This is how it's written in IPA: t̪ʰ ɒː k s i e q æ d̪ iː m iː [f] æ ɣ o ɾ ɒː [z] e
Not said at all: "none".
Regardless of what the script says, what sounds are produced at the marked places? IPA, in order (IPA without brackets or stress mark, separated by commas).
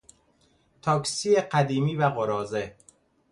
v, z